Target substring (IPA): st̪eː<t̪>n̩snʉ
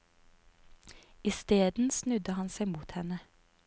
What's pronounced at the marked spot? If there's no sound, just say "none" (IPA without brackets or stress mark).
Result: d̪